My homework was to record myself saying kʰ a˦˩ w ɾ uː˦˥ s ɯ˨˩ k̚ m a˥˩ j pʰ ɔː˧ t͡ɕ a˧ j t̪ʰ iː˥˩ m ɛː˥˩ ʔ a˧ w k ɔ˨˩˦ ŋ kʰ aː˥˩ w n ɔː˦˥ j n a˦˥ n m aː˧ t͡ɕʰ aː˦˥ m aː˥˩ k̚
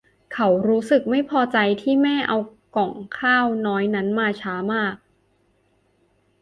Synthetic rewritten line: kʰ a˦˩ w ɾ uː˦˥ s ɯ˨˩ k̚ m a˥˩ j pʰ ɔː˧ t͡ɕ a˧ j t̪ʰ iː˥˩ m ɛː˥˩ ʔ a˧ w k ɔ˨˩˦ ŋ kʰ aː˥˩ w n ɔː˦˥ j n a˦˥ n m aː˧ t͡ɕʰ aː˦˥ m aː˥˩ k̚